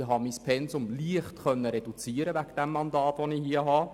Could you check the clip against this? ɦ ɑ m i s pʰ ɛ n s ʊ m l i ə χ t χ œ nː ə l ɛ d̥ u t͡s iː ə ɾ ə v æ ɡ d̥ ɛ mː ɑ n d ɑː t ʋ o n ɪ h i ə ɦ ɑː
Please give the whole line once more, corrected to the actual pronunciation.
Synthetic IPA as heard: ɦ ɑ m i s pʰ ɛ n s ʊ m l i ə χ t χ œ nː ə ɾ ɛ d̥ u t͡s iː ə ɾ ə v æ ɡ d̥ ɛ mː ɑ n d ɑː t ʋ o n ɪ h i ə ɦ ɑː